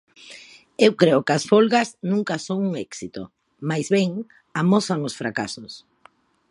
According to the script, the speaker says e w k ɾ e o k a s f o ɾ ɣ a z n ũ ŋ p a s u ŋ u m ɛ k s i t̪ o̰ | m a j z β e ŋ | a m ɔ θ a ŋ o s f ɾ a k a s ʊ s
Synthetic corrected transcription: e w k ɾ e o k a s f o l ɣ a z n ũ ŋ k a s o ŋ u ŋ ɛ k s i t̪ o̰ | m a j z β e ŋ | a m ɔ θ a ŋ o s f ɾ a k a s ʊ s